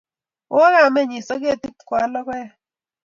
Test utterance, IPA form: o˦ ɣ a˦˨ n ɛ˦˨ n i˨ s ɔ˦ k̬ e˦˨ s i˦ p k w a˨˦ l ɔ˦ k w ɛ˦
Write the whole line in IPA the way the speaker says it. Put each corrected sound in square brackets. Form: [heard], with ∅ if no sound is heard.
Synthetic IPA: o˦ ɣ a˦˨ [m] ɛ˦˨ [ɲ] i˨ s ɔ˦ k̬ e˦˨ [t] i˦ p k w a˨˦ l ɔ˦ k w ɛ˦